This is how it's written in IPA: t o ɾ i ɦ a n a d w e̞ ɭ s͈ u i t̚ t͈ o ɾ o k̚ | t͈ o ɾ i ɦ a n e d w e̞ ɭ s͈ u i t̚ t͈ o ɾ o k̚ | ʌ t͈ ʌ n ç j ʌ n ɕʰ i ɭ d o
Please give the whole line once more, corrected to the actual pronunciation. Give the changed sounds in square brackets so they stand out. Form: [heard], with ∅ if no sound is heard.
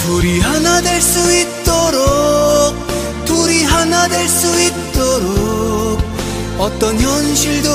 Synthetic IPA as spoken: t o ɾ i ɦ a n a d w e̞ ɭ s͈ u i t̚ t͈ o ɾ o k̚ | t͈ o ɾ i ɦ a n [a] d w e̞ ɭ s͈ u i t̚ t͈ o ɾ o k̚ | ʌ t͈ ʌ n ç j ʌ n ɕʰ i ɭ d o